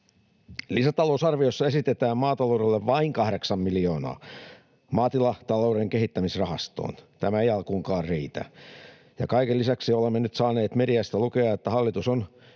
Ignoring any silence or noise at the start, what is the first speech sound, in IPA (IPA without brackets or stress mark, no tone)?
l